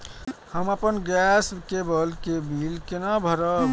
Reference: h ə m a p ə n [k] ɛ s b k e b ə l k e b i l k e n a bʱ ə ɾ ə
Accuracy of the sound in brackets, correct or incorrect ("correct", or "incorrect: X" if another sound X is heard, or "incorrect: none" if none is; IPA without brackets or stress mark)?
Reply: incorrect: ɡ